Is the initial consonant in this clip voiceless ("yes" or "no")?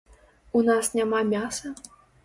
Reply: no